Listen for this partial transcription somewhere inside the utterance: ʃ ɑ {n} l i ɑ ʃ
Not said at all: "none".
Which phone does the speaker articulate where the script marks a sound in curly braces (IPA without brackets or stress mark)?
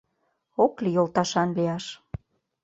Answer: n